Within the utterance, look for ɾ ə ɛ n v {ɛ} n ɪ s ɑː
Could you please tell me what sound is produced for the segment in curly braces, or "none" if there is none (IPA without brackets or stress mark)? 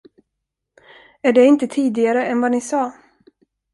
a